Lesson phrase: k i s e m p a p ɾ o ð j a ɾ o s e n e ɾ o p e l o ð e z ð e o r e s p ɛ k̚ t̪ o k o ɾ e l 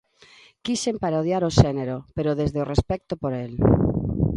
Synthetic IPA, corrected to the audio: k i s e m p a ɾ o ð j a ɾ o ʃ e n e ɾ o p e ɾ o ð e z ð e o r e s p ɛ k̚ t̪ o p o ɾ e l